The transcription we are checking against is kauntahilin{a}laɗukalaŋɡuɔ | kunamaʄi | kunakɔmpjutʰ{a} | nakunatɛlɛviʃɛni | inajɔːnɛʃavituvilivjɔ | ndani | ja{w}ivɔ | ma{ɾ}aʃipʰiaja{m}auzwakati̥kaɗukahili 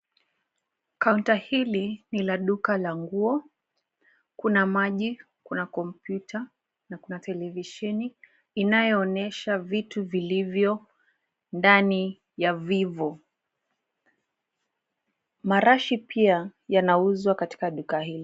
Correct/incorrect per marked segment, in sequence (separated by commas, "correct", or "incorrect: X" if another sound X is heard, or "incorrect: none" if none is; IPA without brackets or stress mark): incorrect: i, correct, incorrect: v, correct, incorrect: n